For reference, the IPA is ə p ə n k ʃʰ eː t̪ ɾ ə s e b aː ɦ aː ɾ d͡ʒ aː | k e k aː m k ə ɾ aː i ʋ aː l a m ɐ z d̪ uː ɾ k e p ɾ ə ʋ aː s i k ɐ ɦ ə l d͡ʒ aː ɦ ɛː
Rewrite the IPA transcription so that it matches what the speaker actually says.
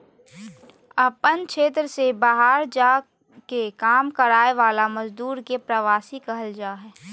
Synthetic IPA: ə p ə n k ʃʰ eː t̪ ɾ ə s e b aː ɦ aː ɾ d͡ʒ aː | k e k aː m k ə ɾ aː e ʋ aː l a m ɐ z d̪ uː ɾ k e p ɾ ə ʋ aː s i k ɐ ɦ ə l d͡ʒ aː ɦ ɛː